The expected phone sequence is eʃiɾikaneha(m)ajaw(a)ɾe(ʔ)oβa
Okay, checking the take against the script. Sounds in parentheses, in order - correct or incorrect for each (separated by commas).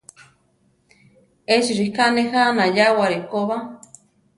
incorrect, correct, incorrect